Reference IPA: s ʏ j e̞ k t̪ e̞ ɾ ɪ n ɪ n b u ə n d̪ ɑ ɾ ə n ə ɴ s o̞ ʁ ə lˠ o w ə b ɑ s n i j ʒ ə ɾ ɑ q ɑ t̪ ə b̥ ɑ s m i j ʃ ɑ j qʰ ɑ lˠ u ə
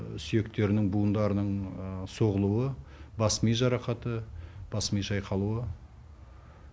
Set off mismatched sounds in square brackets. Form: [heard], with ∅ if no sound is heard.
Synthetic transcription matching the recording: s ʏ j e̞ k t̪ e̞ ɾ ɪ n ɪ [ŋ] b u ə n d̪ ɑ ɾ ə n ə ɴ s o̞ ʁ ə lˠ [u] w ə b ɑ s [m] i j ʒ [ɑ] ɾ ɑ q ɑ t̪ ə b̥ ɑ s m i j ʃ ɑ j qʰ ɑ lˠ u ə